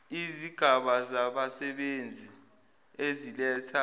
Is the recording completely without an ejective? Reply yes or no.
yes